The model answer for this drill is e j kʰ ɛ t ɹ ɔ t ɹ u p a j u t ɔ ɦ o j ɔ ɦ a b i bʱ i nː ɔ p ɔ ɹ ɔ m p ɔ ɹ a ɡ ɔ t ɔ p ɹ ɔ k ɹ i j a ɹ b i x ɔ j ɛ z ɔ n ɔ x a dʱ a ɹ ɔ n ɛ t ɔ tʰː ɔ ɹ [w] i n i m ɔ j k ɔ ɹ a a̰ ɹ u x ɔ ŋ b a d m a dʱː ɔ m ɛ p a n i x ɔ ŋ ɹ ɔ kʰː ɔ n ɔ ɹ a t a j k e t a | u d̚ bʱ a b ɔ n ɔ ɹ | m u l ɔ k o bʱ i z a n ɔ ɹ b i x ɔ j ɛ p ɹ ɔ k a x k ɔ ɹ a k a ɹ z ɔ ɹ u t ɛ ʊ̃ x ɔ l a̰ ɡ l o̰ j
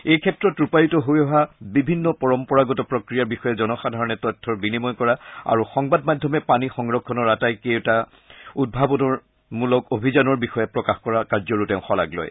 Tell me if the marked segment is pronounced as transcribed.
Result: no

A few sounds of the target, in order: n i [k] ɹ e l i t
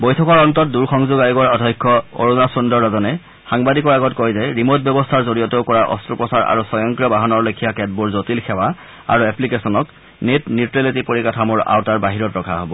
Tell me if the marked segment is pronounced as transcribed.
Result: no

